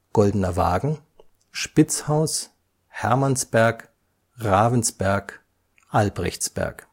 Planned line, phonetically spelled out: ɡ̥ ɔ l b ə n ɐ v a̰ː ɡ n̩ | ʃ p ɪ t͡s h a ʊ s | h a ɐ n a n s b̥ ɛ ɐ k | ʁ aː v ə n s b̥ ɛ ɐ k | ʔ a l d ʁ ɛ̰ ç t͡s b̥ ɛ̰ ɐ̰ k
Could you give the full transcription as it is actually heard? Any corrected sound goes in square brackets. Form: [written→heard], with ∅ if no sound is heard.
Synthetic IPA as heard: ɡ̥ ɔ l [b→d] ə n ɐ v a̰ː ɡ [n̩→ŋ̩] | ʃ p ɪ t͡s h a ʊ s | h [a→ɛ] ɐ [n→m] a n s b̥ ɛ ɐ k | ʁ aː v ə n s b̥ ɛ ɐ k | ʔ a l [d→b] ʁ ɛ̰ ç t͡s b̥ ɛ̰ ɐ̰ k